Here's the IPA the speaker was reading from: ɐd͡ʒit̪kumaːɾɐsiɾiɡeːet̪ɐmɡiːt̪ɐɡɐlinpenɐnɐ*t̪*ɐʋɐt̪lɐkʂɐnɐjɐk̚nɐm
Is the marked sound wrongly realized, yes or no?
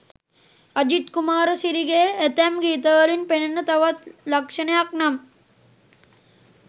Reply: no